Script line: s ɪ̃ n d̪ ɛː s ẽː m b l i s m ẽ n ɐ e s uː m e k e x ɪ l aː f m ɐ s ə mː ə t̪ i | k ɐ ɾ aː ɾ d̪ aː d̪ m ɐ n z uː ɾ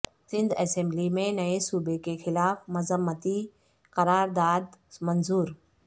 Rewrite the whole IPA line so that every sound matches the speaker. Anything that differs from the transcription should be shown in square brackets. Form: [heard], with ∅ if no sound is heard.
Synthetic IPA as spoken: s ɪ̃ n d̪ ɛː s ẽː m b l i [∅] m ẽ n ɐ e s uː [b] e k e x ɪ l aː f m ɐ [z] ə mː ə t̪ i | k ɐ ɾ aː ɾ d̪ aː d̪ m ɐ n z uː ɾ